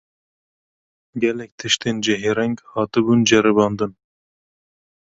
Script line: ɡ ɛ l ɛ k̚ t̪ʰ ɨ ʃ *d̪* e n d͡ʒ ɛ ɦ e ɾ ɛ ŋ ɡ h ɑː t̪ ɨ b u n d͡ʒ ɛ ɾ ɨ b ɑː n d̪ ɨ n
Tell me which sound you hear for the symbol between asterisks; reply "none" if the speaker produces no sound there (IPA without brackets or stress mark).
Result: t̪